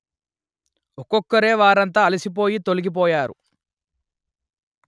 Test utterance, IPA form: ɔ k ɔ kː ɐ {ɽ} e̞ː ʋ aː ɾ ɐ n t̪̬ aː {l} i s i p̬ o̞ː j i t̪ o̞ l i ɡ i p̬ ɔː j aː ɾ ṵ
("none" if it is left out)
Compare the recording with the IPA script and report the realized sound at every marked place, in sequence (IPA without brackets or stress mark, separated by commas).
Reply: ɾ, l